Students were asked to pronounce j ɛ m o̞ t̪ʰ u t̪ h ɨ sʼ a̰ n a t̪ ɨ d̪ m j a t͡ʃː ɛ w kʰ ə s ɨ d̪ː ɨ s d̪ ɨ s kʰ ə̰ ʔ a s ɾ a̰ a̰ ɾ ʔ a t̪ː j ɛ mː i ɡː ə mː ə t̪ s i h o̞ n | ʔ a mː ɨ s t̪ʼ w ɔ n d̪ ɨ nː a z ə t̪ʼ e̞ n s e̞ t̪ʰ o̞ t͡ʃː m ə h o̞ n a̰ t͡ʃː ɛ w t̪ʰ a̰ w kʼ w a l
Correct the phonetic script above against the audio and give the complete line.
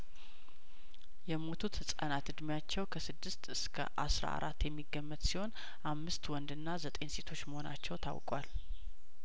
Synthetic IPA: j ɛ m o̞ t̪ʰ u t̪ h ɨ sʼ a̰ n a t̪ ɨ d̪ m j a t͡ʃː ɛ w kʰ ə s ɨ d̪ː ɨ s t̪ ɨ s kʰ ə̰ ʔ a s ɾ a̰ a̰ ɾ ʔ a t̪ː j ɛ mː i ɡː ə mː ə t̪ s i h o̞ n | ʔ a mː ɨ s t̪ w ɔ n d̪ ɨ nː a z ə t̪ʼ e̞ n s e̞ t̪ʰ o̞ t͡ʃː m ə h o̞ n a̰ t͡ʃː ɛ w t̪ʰ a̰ w kʼ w a l